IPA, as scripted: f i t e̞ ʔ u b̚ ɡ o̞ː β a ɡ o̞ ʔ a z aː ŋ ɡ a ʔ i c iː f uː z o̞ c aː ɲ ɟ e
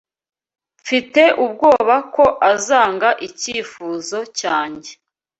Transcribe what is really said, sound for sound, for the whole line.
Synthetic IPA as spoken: f i t e̞ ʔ u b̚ ɡ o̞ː β a k o̞ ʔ a z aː ŋ ɡ a ʔ i c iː f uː z o̞ c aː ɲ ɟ e